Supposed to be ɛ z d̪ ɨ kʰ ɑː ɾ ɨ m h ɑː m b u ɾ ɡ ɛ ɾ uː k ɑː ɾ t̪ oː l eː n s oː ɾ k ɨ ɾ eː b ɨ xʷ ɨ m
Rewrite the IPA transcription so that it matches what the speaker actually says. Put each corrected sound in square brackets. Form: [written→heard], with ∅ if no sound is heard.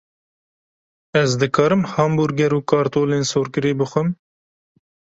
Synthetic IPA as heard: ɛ z d̪ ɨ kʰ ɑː ɾ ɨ m h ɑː m b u ɾ ɡ ɛ ɾ uː k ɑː ɾ t̪ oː l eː n s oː ɾ k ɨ ɾ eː b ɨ xʷ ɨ m